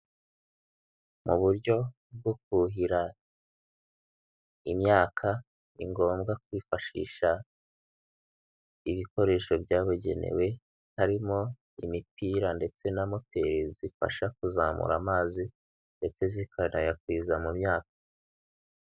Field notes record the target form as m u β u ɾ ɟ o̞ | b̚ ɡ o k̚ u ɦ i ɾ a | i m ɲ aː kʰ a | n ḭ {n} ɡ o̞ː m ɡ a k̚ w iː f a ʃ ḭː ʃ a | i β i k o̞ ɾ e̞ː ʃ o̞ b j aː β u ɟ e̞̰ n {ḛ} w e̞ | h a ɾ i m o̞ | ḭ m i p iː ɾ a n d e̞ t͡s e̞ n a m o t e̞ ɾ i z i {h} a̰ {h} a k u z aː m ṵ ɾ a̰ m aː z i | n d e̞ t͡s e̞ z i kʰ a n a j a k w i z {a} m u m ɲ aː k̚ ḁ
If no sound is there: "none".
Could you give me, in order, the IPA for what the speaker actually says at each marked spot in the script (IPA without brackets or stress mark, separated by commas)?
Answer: ŋ, ḛ, f, ʃ, a